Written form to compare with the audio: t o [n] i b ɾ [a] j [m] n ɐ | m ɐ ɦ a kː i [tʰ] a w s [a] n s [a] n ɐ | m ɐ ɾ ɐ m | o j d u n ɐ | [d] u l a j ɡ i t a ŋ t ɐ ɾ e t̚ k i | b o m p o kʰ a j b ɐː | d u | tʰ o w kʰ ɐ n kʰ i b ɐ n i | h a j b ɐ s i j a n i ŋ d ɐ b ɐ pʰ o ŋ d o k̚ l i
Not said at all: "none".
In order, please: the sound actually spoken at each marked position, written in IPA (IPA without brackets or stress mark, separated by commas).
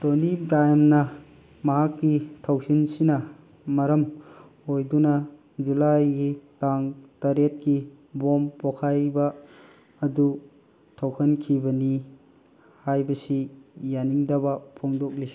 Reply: n, a, m, tʰ, i, i, d͡ʒ